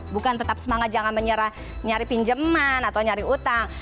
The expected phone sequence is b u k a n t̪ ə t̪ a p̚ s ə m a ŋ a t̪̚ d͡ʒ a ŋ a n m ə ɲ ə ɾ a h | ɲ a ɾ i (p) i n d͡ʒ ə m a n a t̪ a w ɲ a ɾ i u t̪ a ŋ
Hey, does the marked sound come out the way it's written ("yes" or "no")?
yes